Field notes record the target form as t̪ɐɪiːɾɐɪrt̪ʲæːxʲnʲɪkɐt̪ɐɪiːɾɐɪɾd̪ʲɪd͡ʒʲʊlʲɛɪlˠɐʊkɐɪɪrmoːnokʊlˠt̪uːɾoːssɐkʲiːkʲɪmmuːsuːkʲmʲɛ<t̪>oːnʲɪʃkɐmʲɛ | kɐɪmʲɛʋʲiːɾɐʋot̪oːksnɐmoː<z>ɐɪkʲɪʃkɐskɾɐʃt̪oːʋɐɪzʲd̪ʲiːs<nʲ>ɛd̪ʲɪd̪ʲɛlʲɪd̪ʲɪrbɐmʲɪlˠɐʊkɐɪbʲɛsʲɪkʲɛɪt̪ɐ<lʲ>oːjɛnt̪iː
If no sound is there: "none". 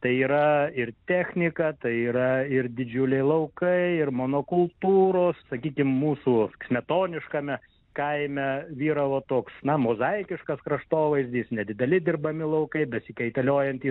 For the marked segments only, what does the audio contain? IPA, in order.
t̪, z, nʲ, lʲ

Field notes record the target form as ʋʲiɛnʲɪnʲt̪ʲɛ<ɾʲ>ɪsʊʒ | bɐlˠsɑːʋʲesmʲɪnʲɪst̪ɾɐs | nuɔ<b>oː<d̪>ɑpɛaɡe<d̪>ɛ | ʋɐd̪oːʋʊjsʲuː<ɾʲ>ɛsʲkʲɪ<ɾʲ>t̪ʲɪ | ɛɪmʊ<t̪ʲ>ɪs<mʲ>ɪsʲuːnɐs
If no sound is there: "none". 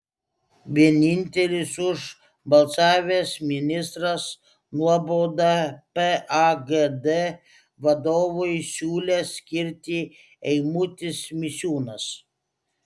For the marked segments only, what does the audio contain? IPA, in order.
lʲ, b, d̪, d̪, lʲ, ɾʲ, t̪ʲ, mʲ

